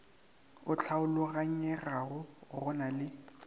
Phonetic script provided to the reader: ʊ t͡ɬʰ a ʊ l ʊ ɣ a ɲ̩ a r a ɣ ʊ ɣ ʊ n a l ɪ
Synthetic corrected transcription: ʊ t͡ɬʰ a ʊ l ʊ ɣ a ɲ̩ ɛ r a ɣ ʊ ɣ ʊ n a l ɪ